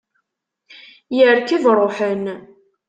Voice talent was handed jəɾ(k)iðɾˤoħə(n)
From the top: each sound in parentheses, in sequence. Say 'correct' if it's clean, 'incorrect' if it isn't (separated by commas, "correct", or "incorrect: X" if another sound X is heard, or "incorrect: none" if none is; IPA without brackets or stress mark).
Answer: correct, correct